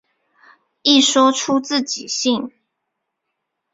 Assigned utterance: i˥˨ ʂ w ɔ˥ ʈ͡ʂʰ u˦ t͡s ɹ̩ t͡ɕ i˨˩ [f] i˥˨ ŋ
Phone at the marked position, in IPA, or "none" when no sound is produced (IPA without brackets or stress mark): ɕ